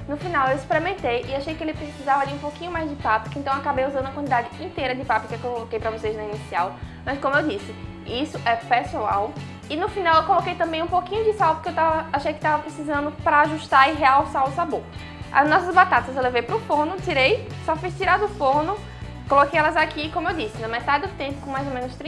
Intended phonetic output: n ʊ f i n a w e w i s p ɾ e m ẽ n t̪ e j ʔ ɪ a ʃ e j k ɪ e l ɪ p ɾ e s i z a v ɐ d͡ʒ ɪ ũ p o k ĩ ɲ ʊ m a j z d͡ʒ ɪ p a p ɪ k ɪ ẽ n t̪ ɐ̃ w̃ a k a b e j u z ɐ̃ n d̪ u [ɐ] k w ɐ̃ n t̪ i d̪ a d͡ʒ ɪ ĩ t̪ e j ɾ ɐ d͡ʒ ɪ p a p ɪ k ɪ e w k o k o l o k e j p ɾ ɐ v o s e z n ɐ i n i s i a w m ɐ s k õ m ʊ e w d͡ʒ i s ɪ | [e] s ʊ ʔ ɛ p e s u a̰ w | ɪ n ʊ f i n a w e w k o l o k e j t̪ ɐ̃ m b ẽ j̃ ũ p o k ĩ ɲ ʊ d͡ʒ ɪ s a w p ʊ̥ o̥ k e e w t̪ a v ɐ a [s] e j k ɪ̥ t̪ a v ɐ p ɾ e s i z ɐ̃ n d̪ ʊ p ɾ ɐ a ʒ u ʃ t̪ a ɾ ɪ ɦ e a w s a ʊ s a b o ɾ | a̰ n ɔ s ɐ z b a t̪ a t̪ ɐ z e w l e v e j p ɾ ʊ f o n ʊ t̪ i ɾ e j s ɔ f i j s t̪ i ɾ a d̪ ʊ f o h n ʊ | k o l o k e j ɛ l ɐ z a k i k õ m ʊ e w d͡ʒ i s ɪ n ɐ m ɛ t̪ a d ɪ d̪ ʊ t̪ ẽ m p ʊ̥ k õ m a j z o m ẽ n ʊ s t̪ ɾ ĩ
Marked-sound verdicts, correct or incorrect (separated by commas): correct, incorrect, incorrect